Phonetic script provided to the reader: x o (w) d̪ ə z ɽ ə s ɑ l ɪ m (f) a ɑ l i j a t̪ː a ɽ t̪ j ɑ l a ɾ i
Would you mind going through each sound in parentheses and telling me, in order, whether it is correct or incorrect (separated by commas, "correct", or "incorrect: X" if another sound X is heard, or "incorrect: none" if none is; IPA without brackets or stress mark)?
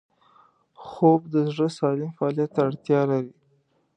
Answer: incorrect: b, correct